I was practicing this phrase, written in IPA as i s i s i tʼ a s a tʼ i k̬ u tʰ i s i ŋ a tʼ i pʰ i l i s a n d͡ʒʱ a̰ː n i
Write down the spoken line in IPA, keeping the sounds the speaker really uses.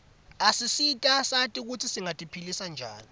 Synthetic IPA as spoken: a s i s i tʼ a s a tʼ i k̬ u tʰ i s i ŋ a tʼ i pʰ i l i s a n d͡ʒʱ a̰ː n i

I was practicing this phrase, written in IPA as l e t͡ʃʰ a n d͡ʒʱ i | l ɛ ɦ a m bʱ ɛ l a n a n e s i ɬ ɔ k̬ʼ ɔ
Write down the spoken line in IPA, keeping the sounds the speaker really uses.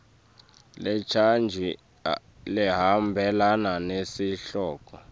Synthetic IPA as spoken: l ɛ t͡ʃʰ a n d͡ʒʱ i | l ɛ ɦ a m bʱ ɛ l a n a n e s i ɬ ɔː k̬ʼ ɔ

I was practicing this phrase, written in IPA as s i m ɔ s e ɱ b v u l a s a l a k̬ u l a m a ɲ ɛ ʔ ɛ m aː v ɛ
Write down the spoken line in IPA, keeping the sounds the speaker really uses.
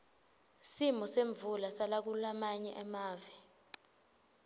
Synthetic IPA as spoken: s i m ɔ s e ɱ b v u l a s a l a k̬ u l a m a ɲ ɛ ʔ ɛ m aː v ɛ

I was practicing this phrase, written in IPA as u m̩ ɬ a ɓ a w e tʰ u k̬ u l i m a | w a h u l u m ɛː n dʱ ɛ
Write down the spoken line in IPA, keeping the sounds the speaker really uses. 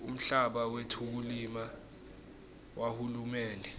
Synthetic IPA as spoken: u m̩ ɬ a ɓ a w e tʰ u k̬ u l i m a | w a h u l u m ɛː n dʱ ɛ

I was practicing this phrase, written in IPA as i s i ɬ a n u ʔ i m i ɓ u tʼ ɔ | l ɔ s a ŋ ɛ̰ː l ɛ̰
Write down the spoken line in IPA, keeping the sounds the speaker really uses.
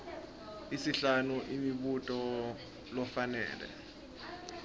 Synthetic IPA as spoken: i s i ɬ a n u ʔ i m i ɓ u tʼ ɔ | l ɔ f a n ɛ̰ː l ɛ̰

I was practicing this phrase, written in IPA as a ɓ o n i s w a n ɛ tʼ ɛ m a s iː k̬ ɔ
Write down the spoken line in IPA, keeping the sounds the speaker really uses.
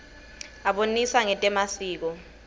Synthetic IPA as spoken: a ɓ o n i s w a ŋ ɛ tʼ ɛ m a s iː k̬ ɔ

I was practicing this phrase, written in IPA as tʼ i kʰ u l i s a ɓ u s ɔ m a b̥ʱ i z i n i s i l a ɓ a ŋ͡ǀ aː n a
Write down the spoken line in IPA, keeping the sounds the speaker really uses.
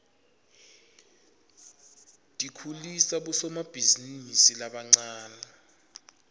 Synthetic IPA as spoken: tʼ i kʰ u l i s a ɓ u s ɔ m a b̥ʱ i z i n i s i l a ɓ a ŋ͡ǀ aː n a

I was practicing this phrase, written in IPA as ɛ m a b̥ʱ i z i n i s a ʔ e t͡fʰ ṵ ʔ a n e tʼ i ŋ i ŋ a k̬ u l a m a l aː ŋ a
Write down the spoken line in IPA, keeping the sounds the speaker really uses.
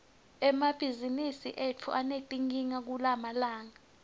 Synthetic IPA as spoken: ɛ m a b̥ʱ i z i n i s i ʔ e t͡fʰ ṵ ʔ a n e tʼ i ŋ i ŋ a k̬ u l a m a l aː ŋ a

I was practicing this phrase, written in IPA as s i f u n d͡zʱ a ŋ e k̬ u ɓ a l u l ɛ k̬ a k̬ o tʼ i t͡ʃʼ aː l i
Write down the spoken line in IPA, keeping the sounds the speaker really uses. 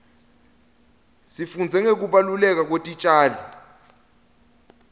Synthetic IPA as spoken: s i f u n d͡zʱ ɛ ŋ e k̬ u ɓ a l u l ɛ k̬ a k̬ o tʼ i t͡ʃʼ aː l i

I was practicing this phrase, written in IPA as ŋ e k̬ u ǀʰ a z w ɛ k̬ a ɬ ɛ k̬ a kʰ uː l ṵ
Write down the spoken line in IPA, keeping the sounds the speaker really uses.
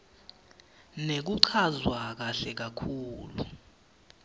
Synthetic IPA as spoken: n e k̬ u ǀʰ a z w a k̬ a ɬ ɛ k̬ a kʰ uː l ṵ

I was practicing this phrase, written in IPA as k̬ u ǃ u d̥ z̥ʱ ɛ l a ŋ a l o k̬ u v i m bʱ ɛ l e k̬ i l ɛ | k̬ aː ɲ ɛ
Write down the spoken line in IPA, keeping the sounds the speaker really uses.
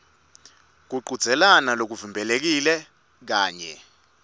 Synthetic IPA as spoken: k̬ u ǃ u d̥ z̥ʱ ɛ l a n a l o k̬ u v i m bʱ ɛ l e k̬ i l ɛ | k̬ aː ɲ ɛ

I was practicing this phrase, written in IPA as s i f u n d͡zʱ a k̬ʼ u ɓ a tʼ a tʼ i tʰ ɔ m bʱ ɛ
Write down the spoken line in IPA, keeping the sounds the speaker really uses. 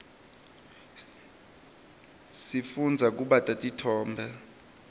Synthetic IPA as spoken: s i f u n d͡zʱ a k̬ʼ u ɓ a tʼ a tʼ i tʰ ɔː m bʱ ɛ

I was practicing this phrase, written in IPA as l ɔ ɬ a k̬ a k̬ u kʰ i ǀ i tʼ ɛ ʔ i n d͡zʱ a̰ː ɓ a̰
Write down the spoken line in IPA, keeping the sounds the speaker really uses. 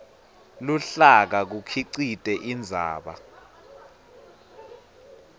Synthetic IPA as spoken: l u ɬ a k̬ a k̬ u kʰ i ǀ i tʼ ɛ ʔ i n d͡zʱ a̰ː ɓ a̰

